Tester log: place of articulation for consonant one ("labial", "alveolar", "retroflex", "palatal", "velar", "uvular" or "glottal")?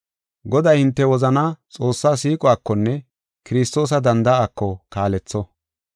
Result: velar